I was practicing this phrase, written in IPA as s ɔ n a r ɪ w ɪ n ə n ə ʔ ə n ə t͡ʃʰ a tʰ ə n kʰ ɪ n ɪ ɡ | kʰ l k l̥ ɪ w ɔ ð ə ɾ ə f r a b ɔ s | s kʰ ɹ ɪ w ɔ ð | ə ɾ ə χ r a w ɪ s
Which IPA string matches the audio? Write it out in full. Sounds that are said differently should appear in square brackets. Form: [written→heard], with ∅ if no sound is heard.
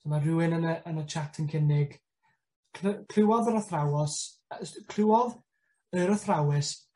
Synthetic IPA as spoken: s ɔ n a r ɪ w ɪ n ə n ə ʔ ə n ə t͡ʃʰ a tʰ ə n kʰ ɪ n ɪ ɡ | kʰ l [k→kʰ] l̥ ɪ w ɔ ð ə ɾ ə [f→θ] r a [b→w] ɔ s | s kʰ [ɹ→l] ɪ w ɔ ð | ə ɾ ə [χ→θ] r a w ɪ s